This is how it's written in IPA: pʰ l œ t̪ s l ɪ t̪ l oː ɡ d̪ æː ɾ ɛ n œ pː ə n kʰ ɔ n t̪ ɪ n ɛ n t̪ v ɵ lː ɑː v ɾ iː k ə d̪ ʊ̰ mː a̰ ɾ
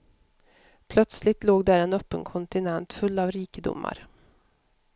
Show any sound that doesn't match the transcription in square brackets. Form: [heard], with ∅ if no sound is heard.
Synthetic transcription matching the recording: pʰ l œ t̪ s l ɪ t̪ l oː ɡ d̪ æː ɾ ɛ n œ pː ə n kʰ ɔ n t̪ ɪ n ɛ n t̪ [f] ɵ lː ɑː v ɾ iː k ə d̪ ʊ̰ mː a̰ ɾ